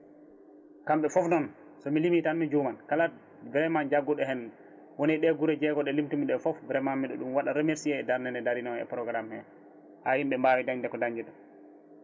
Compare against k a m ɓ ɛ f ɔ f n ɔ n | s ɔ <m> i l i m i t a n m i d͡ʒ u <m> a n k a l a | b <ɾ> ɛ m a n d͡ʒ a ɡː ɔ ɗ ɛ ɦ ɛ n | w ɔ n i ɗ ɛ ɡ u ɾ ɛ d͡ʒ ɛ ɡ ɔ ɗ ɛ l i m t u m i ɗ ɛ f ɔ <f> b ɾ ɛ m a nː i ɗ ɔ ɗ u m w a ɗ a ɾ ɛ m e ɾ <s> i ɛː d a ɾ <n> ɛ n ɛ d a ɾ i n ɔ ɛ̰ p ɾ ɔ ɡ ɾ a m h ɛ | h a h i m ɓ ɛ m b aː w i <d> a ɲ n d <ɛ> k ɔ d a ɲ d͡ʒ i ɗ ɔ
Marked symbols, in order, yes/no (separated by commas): yes, yes, yes, yes, yes, yes, yes, yes